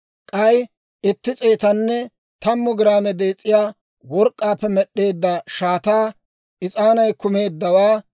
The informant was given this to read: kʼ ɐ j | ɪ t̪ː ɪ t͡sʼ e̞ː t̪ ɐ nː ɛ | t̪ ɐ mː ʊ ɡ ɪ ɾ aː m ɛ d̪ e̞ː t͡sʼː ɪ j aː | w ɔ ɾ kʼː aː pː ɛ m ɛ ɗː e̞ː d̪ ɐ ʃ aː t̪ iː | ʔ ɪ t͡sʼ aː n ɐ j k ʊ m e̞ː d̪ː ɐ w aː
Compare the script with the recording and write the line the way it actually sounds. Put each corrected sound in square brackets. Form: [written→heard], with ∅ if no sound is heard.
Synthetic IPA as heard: kʼ ɐ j | ɪ t̪ː ɪ t͡sʼ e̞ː t̪ ɐ nː ɛ | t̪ ɐ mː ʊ ɡ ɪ ɾ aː m ɛ d̪ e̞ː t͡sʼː ɪ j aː | w ɔ ɾ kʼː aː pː ɛ m ɛ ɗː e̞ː [d̪→d̪ː] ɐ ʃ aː t̪ [iː→aː] | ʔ ɪ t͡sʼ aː n ɐ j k ʊ m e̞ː d̪ː ɐ w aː